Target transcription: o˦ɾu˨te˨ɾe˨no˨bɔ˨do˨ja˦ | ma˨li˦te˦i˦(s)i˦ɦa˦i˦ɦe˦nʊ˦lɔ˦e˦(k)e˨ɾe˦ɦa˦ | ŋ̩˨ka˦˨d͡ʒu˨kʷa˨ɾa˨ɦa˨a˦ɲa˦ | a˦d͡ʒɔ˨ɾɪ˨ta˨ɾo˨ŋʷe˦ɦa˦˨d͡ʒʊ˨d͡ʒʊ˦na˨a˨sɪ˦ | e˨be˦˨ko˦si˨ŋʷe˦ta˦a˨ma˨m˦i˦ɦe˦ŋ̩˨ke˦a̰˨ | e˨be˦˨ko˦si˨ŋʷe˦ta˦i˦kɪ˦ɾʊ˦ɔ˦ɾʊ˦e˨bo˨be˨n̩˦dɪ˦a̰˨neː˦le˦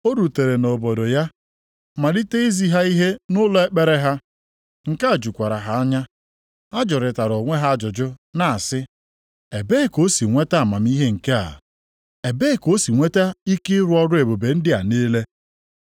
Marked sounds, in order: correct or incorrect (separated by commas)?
incorrect, incorrect